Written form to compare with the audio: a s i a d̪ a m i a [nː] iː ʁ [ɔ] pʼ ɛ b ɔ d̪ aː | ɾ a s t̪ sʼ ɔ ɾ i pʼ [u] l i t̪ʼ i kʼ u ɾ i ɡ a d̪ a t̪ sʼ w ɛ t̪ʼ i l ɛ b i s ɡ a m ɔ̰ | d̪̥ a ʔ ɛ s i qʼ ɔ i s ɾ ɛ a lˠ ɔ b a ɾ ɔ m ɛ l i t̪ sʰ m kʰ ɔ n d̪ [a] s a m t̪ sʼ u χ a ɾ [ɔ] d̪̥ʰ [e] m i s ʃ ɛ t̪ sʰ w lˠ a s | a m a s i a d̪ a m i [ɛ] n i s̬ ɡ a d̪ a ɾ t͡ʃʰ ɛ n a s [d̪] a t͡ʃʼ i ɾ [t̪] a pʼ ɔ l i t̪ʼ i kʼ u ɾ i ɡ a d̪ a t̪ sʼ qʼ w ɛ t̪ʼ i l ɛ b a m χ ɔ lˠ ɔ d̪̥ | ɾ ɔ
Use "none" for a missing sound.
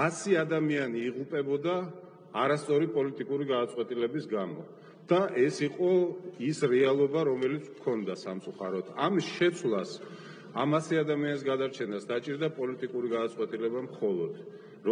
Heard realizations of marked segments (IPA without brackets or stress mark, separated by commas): n, u, ɔ, a, ɔ, a, a, d̪, d̪